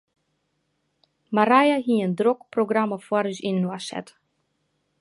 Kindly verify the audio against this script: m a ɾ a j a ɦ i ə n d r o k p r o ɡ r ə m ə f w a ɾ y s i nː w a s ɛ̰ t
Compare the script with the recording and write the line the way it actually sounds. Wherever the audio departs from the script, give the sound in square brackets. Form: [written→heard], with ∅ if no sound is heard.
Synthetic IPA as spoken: m a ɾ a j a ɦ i ə n d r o k p r o ɡ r [ə→a] m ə f w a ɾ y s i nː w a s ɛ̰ t